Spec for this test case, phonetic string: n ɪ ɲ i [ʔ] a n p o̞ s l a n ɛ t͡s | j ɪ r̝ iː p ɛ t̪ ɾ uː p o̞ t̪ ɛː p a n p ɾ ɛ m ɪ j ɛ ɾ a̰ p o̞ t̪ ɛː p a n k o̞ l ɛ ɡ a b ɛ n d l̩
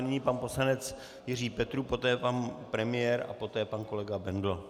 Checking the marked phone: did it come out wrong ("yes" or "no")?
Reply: yes